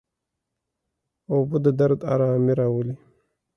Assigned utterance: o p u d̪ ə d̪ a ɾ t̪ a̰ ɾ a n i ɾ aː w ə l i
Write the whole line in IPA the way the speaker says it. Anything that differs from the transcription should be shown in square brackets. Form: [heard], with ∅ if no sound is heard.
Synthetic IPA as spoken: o [b] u d̪ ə d̪ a ɾ [d̪] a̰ ɾ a [m] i ɾ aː w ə l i